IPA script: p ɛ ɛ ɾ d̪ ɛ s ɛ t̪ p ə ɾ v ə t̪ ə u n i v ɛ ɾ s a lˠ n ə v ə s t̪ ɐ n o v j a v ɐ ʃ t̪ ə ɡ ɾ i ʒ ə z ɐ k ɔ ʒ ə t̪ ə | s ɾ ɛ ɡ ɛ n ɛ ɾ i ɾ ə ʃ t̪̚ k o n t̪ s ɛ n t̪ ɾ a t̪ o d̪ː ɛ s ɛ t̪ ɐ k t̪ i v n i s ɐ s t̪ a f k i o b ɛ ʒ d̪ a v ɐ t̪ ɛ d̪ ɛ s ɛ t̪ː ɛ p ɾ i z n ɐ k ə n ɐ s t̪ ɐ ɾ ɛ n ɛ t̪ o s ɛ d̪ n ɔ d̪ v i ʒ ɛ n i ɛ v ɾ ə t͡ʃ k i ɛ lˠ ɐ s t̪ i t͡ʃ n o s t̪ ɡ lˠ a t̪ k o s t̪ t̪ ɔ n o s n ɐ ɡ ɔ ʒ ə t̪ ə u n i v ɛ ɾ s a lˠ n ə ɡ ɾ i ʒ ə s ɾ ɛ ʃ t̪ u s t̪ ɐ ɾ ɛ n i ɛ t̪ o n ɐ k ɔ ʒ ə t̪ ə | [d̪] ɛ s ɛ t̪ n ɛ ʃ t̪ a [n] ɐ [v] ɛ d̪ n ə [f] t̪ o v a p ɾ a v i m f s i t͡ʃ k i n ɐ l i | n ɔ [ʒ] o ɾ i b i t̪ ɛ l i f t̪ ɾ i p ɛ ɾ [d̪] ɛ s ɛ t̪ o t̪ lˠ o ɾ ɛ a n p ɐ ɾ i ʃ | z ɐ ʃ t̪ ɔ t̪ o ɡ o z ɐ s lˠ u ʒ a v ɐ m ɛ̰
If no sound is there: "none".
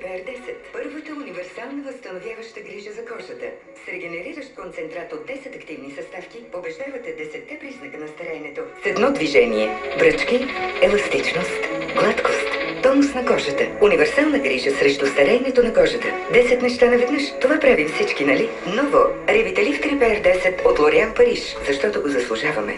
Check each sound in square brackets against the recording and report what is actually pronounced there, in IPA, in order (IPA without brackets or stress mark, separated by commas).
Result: d̪, n, v, ʃ, v, d̪